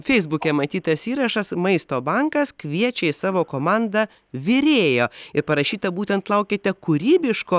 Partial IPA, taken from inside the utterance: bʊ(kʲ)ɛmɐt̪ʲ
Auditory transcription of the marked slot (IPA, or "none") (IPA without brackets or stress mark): kʲ